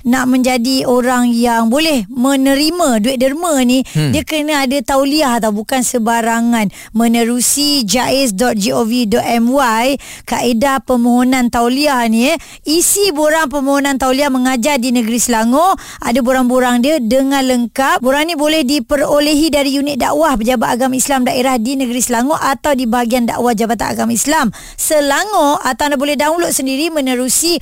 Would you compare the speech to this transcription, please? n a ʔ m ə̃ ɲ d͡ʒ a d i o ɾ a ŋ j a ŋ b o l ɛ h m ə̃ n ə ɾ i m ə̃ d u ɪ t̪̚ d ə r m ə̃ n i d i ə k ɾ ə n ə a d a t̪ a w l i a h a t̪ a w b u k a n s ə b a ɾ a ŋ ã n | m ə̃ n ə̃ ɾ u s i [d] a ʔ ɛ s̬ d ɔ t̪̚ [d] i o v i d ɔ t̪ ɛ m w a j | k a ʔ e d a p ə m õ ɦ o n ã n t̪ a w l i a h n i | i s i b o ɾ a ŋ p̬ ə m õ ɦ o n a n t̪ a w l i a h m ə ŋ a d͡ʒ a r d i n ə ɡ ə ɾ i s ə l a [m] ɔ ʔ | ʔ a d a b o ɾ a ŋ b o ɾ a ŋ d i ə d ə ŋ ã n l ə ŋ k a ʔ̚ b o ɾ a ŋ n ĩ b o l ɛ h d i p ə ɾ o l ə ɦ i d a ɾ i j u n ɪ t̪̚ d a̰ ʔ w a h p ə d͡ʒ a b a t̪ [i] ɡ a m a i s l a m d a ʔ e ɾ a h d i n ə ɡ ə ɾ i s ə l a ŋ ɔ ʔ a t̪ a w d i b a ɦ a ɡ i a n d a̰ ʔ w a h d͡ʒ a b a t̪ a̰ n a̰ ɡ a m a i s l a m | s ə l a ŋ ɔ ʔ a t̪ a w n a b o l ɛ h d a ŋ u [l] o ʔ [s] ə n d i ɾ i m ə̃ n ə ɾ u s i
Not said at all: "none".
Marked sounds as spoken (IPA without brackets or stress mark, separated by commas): d͡ʒ, d͡ʒ, ŋ, a, l, s